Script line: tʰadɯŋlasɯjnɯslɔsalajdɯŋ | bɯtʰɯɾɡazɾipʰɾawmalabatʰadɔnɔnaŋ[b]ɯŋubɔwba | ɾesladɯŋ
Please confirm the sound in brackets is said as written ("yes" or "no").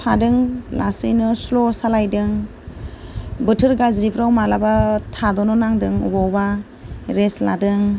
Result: no